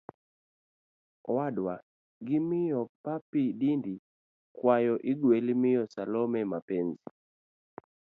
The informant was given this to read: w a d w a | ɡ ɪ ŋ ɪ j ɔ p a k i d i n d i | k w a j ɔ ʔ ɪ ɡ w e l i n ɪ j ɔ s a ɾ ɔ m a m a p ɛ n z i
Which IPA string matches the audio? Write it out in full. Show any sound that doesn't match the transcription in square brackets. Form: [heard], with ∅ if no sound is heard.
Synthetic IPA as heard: w a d w a | ɡ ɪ [m] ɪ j ɔ p a [p] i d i n d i | k w a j ɔ ʔ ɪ ɡ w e l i [m] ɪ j ɔ s a [l] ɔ m [ɛ] m a p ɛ n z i